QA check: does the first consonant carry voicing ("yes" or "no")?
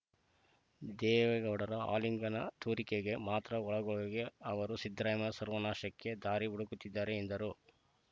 yes